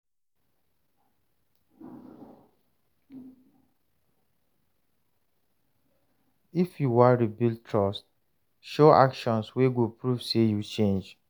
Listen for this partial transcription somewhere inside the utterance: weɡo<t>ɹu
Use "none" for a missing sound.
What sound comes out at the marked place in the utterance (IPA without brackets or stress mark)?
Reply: p